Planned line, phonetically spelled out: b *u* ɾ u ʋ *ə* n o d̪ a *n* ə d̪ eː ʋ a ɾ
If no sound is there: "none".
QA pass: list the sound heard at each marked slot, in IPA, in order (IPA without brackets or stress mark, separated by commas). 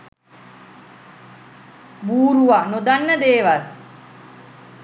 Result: uː, a, nː